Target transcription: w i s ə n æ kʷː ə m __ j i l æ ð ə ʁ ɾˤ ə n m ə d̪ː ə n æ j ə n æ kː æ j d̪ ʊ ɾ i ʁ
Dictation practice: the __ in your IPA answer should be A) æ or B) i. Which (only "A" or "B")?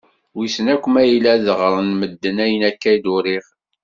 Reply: A